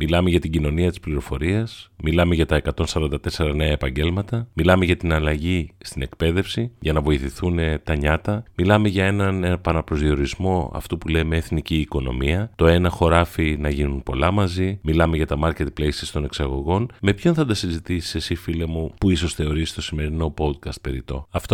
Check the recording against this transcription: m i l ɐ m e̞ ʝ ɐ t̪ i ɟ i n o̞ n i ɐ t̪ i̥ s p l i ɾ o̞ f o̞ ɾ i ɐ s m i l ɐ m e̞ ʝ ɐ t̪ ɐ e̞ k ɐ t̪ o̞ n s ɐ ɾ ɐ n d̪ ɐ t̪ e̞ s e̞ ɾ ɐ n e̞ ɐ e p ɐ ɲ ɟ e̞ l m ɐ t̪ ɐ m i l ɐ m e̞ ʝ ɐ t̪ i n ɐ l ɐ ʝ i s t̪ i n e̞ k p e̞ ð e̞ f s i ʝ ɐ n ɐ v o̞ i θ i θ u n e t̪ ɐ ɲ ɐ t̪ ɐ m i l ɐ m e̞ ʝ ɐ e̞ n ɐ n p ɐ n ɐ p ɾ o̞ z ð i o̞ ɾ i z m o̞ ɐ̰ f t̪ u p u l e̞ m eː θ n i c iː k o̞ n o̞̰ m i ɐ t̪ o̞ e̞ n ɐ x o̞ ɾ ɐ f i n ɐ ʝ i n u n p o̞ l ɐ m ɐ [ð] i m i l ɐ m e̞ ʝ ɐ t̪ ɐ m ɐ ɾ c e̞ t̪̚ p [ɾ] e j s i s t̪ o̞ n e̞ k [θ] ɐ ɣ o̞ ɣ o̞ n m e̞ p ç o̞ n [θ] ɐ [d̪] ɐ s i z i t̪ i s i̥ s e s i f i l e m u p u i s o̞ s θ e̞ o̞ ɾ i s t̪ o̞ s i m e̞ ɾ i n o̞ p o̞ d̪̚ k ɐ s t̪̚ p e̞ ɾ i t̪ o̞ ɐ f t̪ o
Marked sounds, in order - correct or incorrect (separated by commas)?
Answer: incorrect, incorrect, incorrect, correct, correct